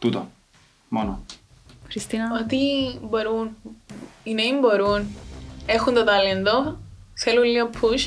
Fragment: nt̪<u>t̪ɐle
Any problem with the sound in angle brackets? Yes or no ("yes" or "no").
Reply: yes